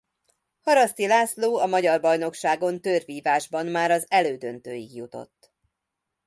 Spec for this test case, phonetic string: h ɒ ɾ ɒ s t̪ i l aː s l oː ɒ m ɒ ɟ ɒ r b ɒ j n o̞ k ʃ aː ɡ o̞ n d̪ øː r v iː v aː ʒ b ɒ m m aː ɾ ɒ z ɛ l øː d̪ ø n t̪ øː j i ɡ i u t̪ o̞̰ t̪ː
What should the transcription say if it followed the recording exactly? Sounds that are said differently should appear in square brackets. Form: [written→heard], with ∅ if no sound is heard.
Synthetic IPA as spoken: h ɒ ɾ ɒ s t̪ i l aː s l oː ɒ m ɒ ɟ ɒ r b ɒ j n o̞ k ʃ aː ɡ o̞ n [d̪→t̪] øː r v iː v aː ʒ b ɒ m m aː ɾ ɒ z ɛ l øː d̪ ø n t̪ øː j i ɡ [i→j] u t̪ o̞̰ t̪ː